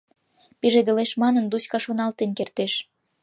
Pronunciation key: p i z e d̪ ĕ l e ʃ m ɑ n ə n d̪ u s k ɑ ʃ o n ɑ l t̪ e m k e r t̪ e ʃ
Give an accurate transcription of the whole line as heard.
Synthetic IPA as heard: p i ʒ e d̪ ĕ l e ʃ m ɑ n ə n d̪ u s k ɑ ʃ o n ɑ l t̪ e n k e r t̪ e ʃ